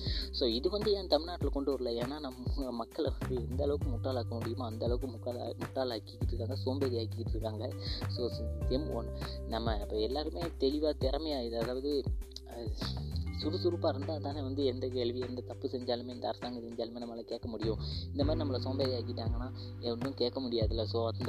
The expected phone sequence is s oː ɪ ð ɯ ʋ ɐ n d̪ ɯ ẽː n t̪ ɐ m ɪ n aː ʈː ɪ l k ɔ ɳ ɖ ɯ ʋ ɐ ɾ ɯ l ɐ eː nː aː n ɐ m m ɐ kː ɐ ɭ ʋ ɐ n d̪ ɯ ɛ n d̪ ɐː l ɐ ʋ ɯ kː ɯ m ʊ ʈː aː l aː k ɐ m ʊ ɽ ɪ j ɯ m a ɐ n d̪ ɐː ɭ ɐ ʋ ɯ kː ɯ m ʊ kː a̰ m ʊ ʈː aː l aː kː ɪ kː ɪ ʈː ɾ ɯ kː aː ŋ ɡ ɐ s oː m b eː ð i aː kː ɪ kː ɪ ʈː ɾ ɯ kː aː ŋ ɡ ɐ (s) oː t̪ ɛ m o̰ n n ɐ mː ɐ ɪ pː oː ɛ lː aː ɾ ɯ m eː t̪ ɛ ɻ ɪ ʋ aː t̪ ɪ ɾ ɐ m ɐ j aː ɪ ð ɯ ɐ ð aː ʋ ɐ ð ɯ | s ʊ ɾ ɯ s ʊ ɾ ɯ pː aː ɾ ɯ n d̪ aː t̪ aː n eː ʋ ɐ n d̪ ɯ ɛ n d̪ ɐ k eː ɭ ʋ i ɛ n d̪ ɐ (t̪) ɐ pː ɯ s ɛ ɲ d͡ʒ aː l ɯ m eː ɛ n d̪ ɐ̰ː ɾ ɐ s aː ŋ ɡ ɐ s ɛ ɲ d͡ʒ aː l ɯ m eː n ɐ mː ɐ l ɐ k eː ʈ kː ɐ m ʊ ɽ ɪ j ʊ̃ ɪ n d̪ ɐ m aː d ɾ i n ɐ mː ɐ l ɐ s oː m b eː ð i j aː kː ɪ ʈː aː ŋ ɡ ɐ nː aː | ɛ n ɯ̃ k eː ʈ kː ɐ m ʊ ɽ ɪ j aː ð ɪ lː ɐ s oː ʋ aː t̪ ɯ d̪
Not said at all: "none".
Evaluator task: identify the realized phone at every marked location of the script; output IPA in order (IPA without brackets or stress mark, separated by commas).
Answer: s, t̪